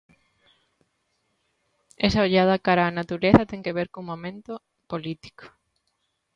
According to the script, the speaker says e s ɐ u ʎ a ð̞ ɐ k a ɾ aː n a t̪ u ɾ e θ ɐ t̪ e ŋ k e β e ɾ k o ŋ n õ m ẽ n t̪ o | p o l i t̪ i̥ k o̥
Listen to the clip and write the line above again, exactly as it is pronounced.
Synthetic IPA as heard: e s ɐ o ʎ a ð̞ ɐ k a ɾ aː n a t̪ u ɾ e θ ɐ t̪ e ŋ k e β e ɾ k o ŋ m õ m ẽ n t̪ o | p o l i t̪ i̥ k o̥